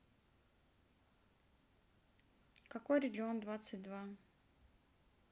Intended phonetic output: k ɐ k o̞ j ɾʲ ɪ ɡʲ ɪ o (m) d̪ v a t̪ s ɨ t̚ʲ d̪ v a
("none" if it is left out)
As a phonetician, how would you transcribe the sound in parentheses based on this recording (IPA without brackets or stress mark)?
n